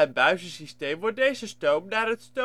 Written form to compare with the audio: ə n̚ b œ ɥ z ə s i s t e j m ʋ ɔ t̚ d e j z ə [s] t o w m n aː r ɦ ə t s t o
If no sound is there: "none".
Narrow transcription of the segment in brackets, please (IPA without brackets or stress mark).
s